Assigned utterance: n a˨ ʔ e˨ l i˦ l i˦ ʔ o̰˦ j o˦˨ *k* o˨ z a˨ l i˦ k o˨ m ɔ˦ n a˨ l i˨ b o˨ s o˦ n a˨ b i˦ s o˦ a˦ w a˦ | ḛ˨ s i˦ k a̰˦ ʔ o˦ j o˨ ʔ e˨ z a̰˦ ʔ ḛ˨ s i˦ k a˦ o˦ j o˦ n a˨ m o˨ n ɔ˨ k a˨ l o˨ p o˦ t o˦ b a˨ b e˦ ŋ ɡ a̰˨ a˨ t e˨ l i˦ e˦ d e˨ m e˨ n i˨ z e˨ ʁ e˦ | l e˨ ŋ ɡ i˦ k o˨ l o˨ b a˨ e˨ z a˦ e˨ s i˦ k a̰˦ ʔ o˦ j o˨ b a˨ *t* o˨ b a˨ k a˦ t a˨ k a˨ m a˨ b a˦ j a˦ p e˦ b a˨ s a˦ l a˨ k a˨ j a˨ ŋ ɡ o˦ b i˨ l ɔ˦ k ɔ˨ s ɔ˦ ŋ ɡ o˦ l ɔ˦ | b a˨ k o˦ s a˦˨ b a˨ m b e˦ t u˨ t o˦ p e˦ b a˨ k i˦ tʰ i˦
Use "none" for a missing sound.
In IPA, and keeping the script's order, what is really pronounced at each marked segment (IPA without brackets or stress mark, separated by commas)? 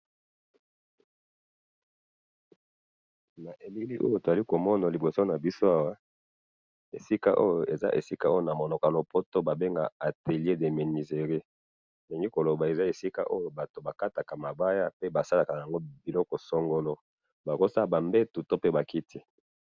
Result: t, t